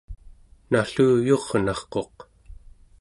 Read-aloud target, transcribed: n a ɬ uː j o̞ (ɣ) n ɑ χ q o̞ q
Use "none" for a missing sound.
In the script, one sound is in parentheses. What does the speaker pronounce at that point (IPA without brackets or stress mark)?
ʁ